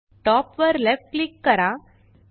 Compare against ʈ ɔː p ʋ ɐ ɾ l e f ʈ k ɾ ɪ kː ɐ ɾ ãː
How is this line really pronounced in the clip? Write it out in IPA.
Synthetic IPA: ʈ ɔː p ʋ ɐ ɾ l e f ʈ k l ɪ kː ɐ ɾ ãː